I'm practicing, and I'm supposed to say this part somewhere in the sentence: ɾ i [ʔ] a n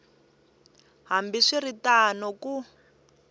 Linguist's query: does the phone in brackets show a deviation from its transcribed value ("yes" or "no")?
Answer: yes